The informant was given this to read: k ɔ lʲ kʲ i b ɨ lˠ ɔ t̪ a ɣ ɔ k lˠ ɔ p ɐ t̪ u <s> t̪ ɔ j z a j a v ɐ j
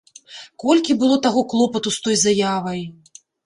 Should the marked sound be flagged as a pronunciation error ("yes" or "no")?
no